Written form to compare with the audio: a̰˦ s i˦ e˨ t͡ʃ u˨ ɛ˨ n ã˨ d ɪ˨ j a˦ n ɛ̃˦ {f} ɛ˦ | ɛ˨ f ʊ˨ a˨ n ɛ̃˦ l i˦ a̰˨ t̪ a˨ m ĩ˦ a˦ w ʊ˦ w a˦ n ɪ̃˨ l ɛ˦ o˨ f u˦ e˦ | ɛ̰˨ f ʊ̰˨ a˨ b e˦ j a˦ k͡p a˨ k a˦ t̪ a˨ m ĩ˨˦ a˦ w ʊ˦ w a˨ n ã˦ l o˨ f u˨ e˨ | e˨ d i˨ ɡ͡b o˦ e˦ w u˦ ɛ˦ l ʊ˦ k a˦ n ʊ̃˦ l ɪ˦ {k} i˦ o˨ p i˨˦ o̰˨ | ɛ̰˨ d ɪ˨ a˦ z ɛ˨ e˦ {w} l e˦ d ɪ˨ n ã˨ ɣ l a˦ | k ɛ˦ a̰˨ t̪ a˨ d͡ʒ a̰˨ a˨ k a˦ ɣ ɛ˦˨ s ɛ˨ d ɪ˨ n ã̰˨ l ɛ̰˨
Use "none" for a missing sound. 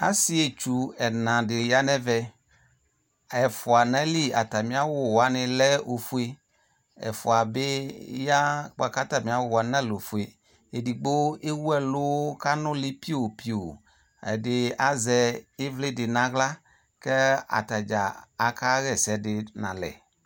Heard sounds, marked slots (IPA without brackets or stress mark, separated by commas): v, p, v